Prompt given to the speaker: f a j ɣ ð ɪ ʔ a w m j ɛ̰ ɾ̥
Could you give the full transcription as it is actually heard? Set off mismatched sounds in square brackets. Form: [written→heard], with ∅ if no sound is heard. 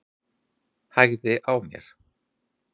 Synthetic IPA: [f→h] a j ɣ ð ɪ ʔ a w m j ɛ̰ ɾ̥